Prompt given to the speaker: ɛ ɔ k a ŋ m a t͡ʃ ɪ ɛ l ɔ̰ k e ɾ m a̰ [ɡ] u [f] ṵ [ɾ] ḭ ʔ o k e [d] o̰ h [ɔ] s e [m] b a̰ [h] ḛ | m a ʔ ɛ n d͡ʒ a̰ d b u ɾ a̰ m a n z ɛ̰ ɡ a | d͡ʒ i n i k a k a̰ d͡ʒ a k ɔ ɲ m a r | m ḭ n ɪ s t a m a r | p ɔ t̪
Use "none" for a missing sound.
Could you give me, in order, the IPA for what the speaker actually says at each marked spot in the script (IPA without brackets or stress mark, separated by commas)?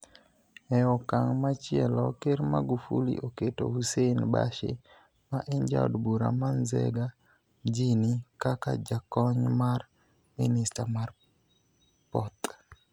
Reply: ɡ, f, l, t, u, n, ʃ